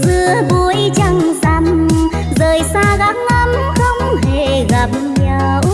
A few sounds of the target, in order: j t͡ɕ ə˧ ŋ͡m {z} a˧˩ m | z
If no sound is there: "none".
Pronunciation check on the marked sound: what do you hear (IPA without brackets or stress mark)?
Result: z